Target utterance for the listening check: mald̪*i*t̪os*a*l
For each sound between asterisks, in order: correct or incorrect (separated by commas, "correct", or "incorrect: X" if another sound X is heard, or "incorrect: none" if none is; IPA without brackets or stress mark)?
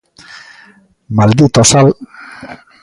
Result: correct, correct